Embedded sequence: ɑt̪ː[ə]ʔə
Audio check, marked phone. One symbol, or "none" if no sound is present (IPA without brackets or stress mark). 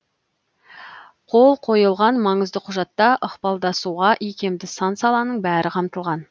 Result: ɑ